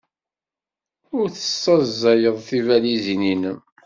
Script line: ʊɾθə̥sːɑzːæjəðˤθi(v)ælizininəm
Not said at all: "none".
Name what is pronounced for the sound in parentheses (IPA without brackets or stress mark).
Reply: v